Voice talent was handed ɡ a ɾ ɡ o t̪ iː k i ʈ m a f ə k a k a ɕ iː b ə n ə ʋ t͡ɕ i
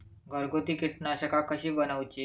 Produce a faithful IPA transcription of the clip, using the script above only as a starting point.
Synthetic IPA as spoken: ɡ ə ɾ ɡ o t̪ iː k i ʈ n a ɕ ə k a k ə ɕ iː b ə n ə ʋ t͡ɕ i